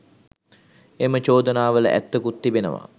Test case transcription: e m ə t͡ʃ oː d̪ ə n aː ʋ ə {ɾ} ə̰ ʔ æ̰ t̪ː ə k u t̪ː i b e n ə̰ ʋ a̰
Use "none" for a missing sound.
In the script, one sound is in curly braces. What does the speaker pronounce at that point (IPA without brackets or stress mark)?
l